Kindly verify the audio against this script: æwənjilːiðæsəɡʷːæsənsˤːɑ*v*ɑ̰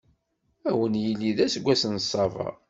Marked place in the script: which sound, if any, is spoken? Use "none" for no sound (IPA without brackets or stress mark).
v